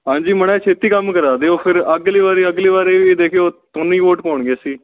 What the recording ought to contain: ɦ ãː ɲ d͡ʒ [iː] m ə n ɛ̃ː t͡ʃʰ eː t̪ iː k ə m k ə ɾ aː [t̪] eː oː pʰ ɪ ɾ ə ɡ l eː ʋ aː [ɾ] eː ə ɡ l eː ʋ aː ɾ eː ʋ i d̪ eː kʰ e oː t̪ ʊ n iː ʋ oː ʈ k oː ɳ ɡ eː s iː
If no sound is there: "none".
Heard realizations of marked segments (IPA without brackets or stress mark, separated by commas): iː, d̪, ɾ